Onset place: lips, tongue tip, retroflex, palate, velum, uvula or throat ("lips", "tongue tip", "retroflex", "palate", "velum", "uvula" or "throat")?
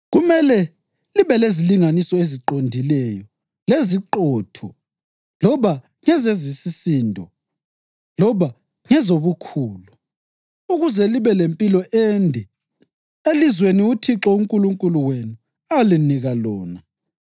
velum